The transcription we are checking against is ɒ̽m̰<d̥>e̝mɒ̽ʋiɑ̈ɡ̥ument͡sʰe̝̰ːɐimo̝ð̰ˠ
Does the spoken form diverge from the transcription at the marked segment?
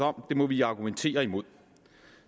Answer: no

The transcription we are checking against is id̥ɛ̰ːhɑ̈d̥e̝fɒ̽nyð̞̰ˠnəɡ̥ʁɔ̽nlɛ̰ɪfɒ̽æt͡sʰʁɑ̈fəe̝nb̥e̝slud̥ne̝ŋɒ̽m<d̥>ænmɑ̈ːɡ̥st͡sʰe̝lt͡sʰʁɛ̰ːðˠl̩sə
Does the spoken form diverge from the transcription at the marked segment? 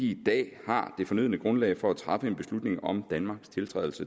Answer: no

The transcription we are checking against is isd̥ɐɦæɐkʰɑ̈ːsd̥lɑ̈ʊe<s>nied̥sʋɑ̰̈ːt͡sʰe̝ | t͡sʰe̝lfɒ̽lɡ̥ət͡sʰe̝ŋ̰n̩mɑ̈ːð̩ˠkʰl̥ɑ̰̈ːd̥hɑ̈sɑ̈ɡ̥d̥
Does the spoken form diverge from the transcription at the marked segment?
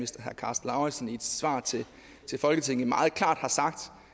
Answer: no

